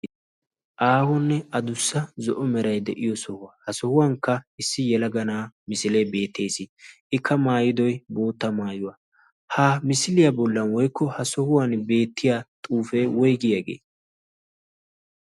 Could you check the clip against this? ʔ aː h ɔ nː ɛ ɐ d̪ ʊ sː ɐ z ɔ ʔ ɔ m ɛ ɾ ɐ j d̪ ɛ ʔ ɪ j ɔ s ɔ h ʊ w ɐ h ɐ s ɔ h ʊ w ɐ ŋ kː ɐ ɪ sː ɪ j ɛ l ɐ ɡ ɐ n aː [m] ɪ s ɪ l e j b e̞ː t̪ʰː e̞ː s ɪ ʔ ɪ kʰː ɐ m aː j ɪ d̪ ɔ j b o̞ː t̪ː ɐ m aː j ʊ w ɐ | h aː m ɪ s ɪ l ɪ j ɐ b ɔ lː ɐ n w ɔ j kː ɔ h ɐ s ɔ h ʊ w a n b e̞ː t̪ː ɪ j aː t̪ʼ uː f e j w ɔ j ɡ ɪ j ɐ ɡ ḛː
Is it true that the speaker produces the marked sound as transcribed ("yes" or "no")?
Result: yes